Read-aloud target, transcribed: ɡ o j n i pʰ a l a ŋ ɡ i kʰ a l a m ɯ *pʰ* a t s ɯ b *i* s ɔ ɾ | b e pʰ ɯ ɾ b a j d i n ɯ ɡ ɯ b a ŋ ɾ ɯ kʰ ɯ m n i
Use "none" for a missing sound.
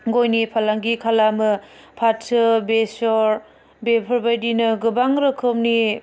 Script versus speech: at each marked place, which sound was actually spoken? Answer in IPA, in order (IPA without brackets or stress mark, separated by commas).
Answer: pʰ, e